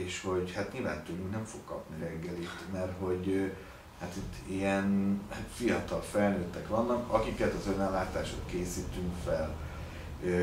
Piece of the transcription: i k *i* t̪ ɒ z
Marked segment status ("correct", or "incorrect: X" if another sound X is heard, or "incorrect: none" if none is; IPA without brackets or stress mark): incorrect: ɛ